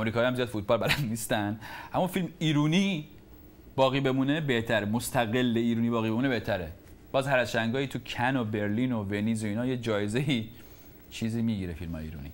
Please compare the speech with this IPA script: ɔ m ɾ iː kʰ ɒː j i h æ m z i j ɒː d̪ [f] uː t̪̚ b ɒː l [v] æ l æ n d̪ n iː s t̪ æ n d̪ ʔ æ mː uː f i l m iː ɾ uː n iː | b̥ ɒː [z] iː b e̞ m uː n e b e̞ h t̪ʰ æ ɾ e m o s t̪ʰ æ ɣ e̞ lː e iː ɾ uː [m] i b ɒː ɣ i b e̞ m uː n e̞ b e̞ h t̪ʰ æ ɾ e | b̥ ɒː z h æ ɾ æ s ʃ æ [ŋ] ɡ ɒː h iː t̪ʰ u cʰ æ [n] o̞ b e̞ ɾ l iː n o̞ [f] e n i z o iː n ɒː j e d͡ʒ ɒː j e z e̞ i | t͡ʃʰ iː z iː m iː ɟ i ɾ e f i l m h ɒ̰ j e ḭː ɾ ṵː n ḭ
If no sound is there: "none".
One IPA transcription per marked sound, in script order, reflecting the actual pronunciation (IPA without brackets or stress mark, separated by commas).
f, b, ɣ, n, ŋ, n, v